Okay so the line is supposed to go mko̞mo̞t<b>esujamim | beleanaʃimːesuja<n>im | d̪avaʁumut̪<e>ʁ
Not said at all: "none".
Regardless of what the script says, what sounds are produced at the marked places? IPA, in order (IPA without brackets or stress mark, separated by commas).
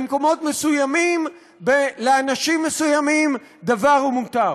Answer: m, m, a